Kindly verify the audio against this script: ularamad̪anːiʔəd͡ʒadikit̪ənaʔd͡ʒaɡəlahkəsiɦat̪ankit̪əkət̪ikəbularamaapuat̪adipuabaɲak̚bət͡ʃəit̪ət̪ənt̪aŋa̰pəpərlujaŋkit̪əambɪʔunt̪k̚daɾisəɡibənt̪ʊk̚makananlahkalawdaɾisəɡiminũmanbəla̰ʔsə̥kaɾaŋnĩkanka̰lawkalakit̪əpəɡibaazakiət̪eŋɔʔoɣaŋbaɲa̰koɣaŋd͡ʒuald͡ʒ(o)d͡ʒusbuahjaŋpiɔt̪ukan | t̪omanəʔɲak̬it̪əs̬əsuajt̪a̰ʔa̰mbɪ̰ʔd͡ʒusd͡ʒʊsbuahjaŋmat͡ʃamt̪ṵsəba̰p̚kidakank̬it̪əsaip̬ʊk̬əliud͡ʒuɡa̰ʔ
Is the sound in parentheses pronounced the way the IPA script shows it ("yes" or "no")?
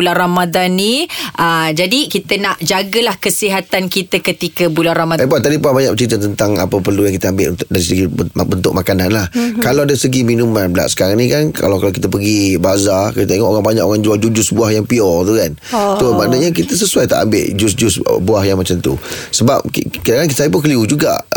no